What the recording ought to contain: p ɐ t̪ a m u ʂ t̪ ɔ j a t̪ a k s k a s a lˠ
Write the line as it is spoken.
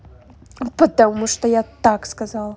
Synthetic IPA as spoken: p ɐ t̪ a m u ʂ t̪ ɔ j a t̪ a k s k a z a lˠ